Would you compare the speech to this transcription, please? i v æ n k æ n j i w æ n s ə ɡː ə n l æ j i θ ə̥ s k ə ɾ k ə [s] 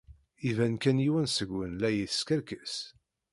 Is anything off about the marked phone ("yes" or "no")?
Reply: no